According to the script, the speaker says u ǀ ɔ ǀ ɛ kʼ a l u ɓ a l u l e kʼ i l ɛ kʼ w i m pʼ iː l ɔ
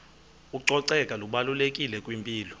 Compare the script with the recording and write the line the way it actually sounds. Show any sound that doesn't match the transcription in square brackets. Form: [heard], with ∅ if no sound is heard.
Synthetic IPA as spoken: u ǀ ɔ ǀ ɛ kʼ a l u ɓ a l u l e kʼ i l ɛ kʼ w i m pʼ iː l ɔ